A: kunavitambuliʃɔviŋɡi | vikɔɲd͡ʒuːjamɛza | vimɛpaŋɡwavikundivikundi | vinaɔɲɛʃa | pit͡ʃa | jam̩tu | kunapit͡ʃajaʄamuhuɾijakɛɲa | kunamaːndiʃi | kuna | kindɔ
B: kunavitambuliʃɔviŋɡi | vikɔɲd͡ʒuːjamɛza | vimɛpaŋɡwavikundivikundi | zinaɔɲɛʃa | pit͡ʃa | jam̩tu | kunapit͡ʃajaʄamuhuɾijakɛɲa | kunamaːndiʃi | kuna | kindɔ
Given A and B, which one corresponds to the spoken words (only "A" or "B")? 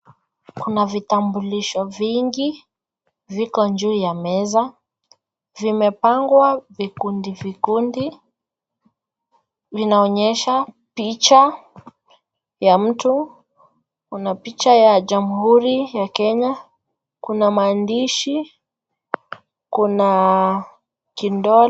A